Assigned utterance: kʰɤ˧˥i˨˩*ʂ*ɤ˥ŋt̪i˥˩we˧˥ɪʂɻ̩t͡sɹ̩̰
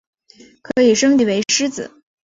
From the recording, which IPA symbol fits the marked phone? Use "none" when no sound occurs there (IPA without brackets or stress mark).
ʂ